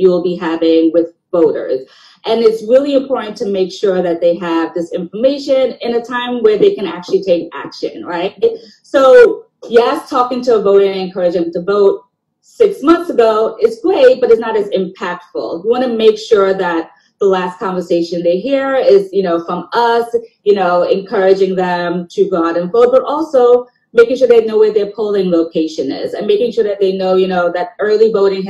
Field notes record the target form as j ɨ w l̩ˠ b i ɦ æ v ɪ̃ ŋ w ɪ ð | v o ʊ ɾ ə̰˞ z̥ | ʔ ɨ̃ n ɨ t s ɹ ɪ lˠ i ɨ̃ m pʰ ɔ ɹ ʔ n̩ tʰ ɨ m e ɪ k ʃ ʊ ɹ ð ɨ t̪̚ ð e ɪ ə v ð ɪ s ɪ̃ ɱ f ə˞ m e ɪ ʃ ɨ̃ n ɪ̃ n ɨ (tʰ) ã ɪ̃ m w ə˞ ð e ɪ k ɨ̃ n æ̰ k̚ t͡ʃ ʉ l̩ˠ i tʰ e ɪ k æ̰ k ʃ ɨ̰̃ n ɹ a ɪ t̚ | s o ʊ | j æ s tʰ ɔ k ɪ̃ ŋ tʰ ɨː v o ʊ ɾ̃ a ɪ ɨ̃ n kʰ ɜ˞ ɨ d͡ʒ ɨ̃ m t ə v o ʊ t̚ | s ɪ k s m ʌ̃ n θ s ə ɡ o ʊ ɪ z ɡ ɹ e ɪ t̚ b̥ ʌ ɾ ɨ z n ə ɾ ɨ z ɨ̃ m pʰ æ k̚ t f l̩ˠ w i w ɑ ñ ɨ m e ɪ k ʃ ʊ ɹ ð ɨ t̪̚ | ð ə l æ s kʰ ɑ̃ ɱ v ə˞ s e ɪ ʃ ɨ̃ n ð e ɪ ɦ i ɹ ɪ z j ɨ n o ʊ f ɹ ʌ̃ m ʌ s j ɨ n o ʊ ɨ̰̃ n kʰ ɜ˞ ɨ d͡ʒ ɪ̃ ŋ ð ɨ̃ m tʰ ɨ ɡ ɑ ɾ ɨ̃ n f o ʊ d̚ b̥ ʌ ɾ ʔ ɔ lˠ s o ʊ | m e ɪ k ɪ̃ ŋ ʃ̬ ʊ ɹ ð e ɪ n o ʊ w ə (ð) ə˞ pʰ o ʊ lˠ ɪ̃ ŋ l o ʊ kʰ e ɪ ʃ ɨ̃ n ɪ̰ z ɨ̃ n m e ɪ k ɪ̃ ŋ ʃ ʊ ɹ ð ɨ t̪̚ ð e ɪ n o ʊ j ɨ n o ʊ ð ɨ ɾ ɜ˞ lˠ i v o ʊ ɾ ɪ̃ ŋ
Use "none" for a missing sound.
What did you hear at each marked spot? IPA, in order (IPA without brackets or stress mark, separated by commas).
tʰ, ð